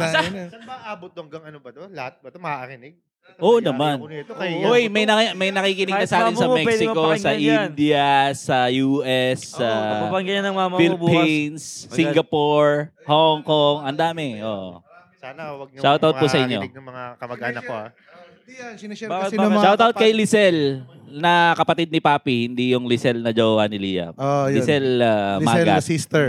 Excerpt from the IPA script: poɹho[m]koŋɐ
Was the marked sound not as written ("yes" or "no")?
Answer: yes